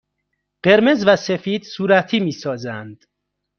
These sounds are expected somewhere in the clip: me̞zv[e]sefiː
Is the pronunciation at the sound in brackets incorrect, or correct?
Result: incorrect